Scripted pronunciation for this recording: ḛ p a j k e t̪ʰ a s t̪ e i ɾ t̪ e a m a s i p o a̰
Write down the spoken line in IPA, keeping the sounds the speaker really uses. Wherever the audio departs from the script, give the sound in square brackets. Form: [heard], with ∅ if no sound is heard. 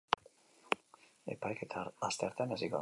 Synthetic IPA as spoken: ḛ p a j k e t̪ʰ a s t̪ e [a] ɾ t̪ e a [n] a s i [k] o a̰